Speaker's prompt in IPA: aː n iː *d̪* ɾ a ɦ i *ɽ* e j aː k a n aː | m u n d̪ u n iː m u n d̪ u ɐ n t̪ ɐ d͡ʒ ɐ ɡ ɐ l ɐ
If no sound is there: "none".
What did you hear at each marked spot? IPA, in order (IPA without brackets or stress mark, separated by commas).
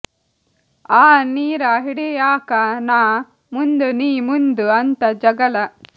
none, ɽ